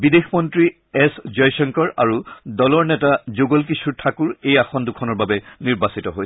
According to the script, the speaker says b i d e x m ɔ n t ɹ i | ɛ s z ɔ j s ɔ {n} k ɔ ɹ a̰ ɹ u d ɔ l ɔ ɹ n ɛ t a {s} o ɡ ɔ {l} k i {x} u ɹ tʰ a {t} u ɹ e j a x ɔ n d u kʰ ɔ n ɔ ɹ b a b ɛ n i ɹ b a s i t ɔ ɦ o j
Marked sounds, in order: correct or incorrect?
incorrect: ŋ, incorrect: z, correct, incorrect: s, incorrect: k

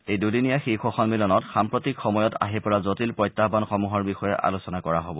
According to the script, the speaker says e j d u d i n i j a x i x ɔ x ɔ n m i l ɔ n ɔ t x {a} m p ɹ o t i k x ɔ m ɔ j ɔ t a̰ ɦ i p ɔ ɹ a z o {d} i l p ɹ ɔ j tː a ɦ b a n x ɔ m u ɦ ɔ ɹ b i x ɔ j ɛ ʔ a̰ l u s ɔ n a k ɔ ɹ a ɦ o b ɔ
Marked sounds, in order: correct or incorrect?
correct, incorrect: t

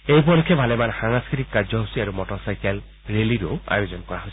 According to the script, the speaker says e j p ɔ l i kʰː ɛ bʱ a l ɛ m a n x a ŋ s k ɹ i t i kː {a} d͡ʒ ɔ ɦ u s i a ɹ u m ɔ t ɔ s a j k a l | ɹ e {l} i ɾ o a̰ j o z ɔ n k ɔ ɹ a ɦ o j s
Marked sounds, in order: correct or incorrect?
correct, correct

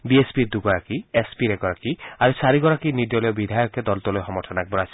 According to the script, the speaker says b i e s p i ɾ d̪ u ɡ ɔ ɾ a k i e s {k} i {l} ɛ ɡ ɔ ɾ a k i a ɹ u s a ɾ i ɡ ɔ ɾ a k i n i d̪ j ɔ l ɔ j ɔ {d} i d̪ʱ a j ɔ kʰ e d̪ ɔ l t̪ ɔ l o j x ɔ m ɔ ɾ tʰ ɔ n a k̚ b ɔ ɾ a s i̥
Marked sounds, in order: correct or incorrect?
incorrect: p, incorrect: ɾ, incorrect: b

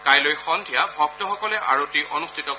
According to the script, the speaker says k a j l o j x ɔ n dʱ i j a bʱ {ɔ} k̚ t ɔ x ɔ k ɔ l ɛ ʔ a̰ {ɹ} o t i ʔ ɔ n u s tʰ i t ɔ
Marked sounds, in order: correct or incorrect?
correct, correct

